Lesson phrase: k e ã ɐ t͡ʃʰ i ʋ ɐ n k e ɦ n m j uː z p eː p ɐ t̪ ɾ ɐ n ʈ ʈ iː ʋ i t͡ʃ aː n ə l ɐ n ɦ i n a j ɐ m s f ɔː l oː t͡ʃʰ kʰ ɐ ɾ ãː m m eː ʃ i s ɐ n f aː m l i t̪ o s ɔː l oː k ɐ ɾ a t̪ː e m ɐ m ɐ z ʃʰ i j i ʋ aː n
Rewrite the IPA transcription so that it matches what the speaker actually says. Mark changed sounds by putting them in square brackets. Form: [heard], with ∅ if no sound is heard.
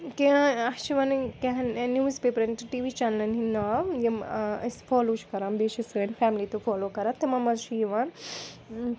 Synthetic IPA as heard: k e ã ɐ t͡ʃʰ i ʋ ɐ n k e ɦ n [n] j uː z p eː p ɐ [∅] ɾ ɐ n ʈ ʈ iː ʋ i t͡ʃ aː n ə l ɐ n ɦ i n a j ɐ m s f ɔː l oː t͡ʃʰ [k] ɐ ɾ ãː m [b] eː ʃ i s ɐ n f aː m l i t̪ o [f] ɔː l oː k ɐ ɾ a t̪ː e m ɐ m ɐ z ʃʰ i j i ʋ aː n